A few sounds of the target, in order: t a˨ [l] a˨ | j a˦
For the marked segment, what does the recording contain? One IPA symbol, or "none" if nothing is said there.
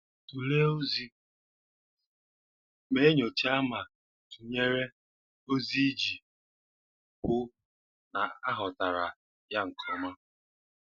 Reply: ɾ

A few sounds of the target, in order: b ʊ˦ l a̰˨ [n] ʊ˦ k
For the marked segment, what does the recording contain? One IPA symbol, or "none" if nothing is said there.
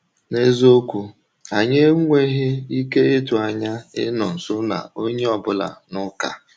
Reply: n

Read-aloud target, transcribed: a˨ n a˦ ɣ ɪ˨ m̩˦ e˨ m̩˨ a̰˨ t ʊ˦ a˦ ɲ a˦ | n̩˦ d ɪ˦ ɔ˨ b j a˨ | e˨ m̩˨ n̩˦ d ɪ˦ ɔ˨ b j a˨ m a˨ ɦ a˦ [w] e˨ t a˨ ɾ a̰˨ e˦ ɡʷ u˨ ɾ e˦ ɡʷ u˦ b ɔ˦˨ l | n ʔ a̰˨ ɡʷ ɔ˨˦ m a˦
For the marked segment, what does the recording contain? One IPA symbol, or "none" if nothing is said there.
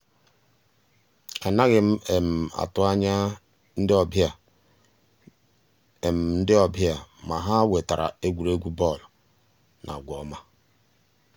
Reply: w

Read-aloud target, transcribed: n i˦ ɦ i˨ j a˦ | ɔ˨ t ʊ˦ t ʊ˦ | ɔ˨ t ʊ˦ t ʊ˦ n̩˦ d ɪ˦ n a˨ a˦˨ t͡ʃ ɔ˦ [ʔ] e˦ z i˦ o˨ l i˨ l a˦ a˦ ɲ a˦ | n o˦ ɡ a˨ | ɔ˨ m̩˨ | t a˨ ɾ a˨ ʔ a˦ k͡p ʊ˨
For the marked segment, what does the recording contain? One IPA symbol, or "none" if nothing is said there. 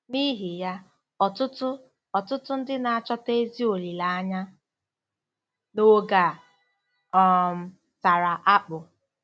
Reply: t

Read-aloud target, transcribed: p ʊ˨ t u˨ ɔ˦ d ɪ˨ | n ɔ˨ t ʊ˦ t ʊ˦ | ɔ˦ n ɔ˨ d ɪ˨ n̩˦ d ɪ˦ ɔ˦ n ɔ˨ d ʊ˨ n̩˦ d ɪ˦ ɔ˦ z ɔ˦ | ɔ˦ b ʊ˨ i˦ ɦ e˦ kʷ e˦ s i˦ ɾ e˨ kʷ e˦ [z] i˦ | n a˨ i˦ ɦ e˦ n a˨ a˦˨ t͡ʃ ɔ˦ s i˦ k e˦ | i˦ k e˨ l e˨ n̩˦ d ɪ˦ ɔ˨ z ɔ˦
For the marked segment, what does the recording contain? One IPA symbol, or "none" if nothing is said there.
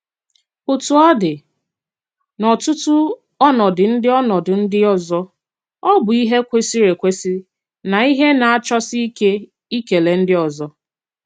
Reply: s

